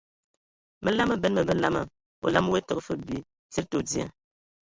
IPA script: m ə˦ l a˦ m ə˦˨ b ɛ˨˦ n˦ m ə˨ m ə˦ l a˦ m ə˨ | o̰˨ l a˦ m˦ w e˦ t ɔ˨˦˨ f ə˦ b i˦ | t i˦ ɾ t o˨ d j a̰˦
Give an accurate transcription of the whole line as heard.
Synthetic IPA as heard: m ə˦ l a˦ m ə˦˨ b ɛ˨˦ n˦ m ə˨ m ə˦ l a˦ m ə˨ | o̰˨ l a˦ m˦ w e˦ t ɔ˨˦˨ f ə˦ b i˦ | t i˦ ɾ t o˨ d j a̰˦